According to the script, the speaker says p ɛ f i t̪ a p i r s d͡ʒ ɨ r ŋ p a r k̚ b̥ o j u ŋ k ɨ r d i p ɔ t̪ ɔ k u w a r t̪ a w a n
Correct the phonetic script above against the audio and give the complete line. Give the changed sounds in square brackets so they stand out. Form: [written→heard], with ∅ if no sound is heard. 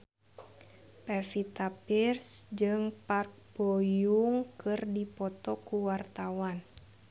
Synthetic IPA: p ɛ f i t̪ a p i r s d͡ʒ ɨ [r→∅] ŋ p a r k̚ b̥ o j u ŋ k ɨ r d i p ɔ t̪ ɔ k u w a r t̪ a w a n